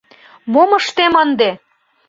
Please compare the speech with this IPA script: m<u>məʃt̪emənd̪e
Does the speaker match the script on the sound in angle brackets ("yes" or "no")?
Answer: no